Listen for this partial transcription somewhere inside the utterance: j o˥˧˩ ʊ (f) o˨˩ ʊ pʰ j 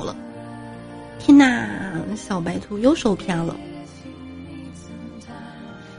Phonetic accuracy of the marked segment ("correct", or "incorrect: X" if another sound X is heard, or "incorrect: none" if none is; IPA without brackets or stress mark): incorrect: ʂ